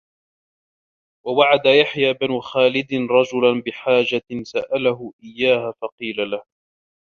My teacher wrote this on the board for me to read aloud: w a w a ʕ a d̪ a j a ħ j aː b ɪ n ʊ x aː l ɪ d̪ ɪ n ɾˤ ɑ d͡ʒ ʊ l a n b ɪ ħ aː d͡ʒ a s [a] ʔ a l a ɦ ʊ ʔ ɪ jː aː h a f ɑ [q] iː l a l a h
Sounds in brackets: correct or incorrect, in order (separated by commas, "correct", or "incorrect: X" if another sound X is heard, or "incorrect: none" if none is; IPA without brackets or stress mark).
correct, correct